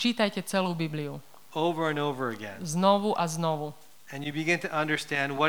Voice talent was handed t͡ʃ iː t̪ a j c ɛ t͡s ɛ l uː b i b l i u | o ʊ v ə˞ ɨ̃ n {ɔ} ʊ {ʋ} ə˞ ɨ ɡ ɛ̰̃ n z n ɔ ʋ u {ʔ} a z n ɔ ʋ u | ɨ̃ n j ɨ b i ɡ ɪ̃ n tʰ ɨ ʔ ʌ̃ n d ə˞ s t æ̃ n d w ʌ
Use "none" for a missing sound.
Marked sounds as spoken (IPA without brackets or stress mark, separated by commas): o, v, ʔ